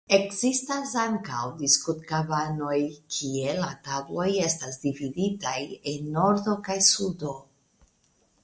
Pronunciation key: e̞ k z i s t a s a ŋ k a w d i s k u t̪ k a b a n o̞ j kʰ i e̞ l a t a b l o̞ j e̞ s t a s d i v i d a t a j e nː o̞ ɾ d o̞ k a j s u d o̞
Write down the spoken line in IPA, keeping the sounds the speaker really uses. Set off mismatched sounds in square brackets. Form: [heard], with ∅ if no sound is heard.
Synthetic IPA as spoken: e̞ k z i s t a s a ŋ k a w d i s k u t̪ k a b a n o̞ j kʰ i e̞ l a t a b l o̞ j e̞ s t a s d i v i d [i] t a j e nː o̞ ɾ d o̞ k a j s u d o̞

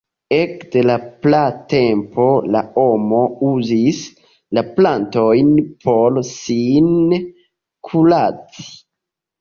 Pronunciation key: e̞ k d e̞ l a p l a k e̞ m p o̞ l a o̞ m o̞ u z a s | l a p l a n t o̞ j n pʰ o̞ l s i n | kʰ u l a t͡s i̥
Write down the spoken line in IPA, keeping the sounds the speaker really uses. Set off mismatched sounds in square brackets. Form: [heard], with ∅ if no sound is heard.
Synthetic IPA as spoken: e̞ k d e̞ l a p l a [t] e̞ m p o̞ l a o̞ m o̞ u z [i] s | l a p l a n t o̞ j n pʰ o̞ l s i n | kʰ u l a t͡s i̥

